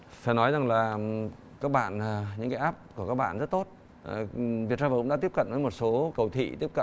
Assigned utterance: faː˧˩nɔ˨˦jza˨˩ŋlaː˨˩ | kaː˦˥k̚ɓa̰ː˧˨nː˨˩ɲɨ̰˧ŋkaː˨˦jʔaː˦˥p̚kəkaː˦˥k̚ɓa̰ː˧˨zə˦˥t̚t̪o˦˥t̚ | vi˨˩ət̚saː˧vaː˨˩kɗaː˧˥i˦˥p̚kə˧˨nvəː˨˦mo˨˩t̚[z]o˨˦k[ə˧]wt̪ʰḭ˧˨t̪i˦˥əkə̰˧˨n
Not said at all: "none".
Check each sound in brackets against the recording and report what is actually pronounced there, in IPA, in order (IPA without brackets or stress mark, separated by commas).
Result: s, ə˨˩